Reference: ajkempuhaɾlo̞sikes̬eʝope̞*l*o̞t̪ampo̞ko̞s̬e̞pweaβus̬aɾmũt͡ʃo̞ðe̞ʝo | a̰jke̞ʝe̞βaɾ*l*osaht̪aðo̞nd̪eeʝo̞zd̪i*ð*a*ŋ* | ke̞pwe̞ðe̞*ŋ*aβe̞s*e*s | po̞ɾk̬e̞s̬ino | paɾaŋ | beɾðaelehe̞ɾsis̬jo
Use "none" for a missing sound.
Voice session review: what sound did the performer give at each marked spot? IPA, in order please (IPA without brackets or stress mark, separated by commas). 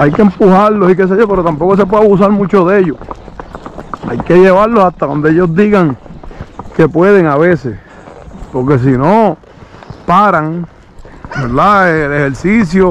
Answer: ɾ, l, ɣ, ŋ, ŋ, e